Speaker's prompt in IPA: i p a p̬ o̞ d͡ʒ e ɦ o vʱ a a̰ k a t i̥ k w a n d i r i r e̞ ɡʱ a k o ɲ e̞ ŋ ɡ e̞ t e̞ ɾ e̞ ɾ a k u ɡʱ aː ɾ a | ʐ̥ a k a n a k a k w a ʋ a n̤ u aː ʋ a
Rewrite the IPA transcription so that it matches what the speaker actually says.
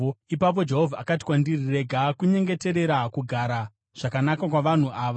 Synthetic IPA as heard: i p a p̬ o̞ d͡ʒ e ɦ o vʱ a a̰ k a t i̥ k w a n d i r i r e̞ ɡʱ a k u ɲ e̞ ŋ ɡ e̞ t e̞ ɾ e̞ ɾ a k u ɡʱ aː ɾ a | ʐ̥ a k a n a k a k w a ʋ a n̤ u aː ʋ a

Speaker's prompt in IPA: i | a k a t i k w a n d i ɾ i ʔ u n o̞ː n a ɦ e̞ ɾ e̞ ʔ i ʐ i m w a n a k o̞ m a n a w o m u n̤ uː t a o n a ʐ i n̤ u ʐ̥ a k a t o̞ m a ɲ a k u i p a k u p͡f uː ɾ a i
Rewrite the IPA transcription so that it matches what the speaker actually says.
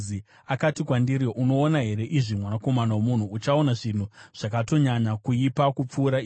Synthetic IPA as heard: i | a k a t i k w a n d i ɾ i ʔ u n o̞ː n a ɦ e̞ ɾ e̞ ʔ i ʐ i m w a n a k o̞ m a n a w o m u n̤ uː t͡ʃ a o n a ʐ i n̤ u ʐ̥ a k a t o̞ ɲ a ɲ a k u i p a k u p͡f uː ɾ a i

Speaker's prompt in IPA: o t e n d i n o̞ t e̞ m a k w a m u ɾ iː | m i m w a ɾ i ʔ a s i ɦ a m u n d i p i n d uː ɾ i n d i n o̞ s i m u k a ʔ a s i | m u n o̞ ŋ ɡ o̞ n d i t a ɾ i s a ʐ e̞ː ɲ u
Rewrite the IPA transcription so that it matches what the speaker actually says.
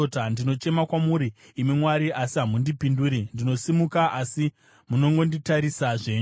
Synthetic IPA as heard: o t a n d i n o̞ t͡ʃ e̞ m a k w a m u ɾ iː | m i m w a ɾ i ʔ a s i ɦ a m u n d i p i n d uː ɾ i n d i n o̞ s i m u k a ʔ a s i | m u n o̞ ŋ ɡ o̞ n d i t a ɾ i s a ʐ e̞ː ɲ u

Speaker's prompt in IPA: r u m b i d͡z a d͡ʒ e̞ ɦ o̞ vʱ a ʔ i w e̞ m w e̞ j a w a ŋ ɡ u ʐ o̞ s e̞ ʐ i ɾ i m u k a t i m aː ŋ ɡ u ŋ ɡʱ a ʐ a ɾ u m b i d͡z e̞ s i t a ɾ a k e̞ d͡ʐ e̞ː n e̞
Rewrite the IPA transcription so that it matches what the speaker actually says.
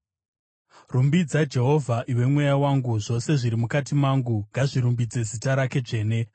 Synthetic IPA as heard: r u m b i d͡z a d͡ʒ e̞ ɦ o̞ vʱ a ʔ i w e̞ m w e̞ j a w a ŋ ɡ u ʐ o̞ s e̞ ʐ i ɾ i m u k a t i m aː ŋ ɡ u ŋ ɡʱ a ʐ i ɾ u m b i d͡z e̞ z i t a ɾ a k e̞ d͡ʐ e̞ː n e̞

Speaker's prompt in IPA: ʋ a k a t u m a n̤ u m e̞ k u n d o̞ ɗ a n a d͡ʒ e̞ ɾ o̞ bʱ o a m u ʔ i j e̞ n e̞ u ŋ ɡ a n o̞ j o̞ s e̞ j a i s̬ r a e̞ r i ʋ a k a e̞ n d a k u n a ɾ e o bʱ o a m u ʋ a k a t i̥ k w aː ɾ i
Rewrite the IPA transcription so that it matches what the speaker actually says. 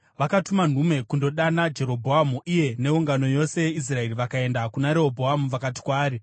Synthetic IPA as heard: ʋ a k a t u m a n̤ u m e̞ k u n d o̞ ɗ a n a d͡ʒ e̞ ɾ o̞ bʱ o a m u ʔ i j e̞ n e̞ u ŋ ɡ a n o̞ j o̞ s e̞ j e i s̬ r a e̞ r i ʋ a k a e̞ n d a k u n a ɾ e o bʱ o a m u ʋ a k a t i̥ k w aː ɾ i

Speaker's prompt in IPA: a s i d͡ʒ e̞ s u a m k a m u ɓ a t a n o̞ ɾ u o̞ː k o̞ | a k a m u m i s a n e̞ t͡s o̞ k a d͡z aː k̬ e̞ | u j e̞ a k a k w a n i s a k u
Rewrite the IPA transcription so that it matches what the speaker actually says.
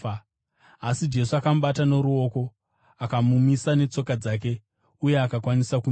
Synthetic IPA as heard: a s i d͡ʒ e̞ s u a k a m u ɓ a t a n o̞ ɾ u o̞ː k o̞ | a k a m u m i s a n e̞ t͡s o̞ k a d͡z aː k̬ e̞ | u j e̞ a k a k w a n i s a k u

